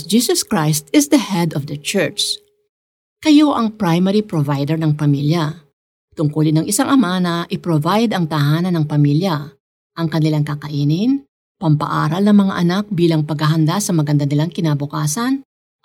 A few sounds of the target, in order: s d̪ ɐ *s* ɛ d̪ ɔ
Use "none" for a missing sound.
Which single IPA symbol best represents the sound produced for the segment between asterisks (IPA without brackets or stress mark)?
h